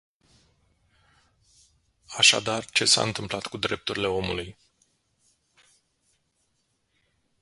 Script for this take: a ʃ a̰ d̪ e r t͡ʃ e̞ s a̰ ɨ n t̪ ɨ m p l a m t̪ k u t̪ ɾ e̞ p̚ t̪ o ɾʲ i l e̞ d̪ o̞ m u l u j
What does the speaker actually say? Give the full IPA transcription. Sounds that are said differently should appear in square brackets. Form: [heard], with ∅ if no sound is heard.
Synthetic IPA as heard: a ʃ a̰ d̪ [a] r t͡ʃ e̞ s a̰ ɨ n t̪ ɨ m p l a [∅] t̪ k u [d̪] ɾ e̞ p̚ t̪ [u] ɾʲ i l e̞ [∅] o̞ m u l u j

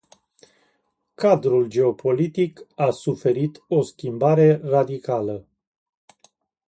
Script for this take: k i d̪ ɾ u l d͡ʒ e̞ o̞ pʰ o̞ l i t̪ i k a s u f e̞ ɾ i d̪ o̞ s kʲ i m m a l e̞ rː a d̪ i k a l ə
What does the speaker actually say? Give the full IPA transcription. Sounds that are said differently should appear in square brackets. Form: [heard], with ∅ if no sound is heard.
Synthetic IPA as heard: k [a] d̪ ɾ u l d͡ʒ e̞ o̞ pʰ o̞ l i t̪ i k a s u f e̞ ɾ i [t̪] o̞ s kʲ i m [b] a [ɾ] e̞ [r] a d̪ i k a l ə

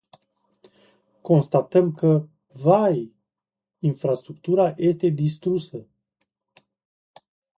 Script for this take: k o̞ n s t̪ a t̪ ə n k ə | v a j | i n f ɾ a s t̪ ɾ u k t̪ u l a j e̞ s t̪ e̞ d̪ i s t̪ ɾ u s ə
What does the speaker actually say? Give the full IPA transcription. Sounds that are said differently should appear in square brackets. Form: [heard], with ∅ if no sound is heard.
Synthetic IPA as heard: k o̞ n s t̪ a t̪ ə [m] k ə | v a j | i n f ɾ a s t̪ ɾ u k t̪ u [ɾ] a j e̞ s t̪ e̞ d̪ i s t̪ ɾ u s ə

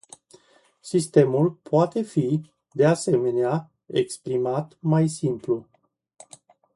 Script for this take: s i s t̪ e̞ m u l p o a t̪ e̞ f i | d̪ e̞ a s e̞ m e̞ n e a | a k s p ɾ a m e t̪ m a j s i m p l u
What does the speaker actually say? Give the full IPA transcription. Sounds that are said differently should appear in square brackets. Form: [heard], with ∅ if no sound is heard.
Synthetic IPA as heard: s i s t̪ e̞ m u l p o a t̪ e̞ f i | d̪ e̞ a s e̞ m e̞ n e a | [e] k s p ɾ [i] m [a] t̪ m a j s i m p l u

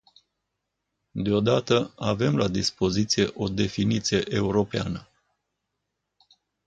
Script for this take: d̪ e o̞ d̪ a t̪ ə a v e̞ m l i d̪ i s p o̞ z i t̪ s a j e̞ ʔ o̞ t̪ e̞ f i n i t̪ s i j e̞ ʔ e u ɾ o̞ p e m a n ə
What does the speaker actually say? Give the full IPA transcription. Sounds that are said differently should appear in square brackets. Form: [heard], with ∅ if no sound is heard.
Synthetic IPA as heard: d̪ e o̞ d̪ a t̪ ə a v e̞ m l [a] d̪ i s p o̞ z i t̪ s [i] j e̞ ʔ o̞ [d̪] e̞ f i n i t̪ s i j e̞ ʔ e u ɾ o̞ p e [∅] a n ə

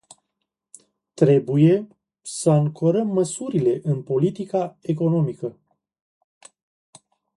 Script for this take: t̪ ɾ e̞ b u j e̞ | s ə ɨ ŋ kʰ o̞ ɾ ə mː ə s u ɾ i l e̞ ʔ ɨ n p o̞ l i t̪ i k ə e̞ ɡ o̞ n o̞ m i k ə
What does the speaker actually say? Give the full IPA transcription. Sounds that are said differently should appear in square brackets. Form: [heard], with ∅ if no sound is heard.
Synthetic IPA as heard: t̪ ɾ e̞ b u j e̞ | s ə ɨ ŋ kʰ o̞ ɾ ə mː ə s u ɾ i l e̞ ʔ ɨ n p o̞ l i t̪ i k [a] e̞ [k] o̞ n o̞ m i k ə

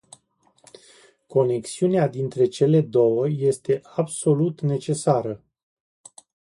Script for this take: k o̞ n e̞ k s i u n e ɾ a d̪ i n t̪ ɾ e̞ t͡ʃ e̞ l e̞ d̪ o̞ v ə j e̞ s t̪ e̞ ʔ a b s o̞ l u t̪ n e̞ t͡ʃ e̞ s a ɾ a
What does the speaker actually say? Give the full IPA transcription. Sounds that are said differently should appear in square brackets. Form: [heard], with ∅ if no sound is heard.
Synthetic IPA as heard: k o̞ n e̞ k s i u n e [∅] a d̪ i n t̪ ɾ e̞ t͡ʃ e̞ l e̞ d̪ o̞ [w] ə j e̞ s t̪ e̞ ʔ a b s o̞ l u t̪ n e̞ t͡ʃ e̞ s a ɾ [ə]

